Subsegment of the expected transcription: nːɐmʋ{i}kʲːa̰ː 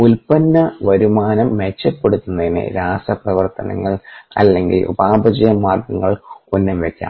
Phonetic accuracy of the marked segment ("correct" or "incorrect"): incorrect